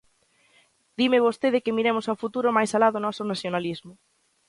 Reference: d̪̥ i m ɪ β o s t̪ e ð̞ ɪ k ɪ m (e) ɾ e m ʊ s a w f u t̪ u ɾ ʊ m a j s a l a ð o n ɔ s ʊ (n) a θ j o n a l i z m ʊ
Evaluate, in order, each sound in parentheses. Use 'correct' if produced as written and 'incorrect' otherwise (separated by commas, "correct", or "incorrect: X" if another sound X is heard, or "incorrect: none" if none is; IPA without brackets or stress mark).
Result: incorrect: i, correct